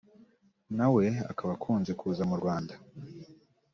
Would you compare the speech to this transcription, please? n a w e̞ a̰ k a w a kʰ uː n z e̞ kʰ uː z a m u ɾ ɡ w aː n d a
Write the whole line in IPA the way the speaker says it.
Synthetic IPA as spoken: n a w e̞ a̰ k a β a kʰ uː n z e̞ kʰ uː z a m u ɾ ɡ w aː n d a